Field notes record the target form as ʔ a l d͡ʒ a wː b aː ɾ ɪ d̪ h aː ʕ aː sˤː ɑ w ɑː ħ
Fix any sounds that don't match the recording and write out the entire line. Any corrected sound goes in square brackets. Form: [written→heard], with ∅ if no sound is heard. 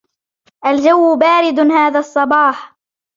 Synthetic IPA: ʔ a l d͡ʒ a wː b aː ɾ ɪ d̪ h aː [ʕ→ð] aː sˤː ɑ [w→b] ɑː ħ